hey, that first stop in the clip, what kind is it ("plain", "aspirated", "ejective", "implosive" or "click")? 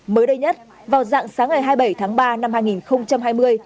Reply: implosive